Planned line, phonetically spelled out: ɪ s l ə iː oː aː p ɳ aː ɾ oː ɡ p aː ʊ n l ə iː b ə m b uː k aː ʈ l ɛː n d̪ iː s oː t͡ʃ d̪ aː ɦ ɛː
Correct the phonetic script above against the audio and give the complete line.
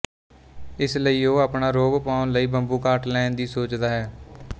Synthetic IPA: ɪ s l ə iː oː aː p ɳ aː ɾ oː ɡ p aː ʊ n l ə iː b ə m b uː k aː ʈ l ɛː n d̪ iː s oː t͡ʃ d̪ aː ɦ ɛː